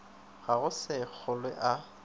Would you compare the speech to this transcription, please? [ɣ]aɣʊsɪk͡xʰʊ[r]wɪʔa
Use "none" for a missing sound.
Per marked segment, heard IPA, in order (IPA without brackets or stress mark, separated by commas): ɣ, l